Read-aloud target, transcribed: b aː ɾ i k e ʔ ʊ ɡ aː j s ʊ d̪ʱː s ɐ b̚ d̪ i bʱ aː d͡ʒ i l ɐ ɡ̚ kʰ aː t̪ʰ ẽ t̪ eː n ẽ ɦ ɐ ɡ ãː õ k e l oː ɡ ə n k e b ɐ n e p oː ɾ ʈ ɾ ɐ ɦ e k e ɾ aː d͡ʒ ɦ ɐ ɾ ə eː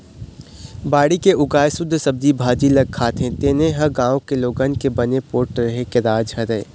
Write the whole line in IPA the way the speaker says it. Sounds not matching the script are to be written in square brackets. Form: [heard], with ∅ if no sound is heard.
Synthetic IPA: b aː [ɽ] i k e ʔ ʊ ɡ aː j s ʊ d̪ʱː s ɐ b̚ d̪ i bʱ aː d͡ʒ i l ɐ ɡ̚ kʰ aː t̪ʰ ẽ t̪ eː n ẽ ɦ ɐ ɡ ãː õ k e l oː ɡ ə n k e b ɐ n e p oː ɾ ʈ ɾ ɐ ɦ e k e ɾ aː d͡ʒ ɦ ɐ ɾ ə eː